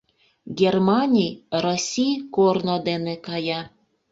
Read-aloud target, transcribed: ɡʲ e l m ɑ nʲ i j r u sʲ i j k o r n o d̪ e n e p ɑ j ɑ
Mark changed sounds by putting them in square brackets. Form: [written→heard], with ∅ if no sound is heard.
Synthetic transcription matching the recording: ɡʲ e [l→r] m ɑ nʲ i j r [u→o] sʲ i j k o r n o d̪ e n e [p→k] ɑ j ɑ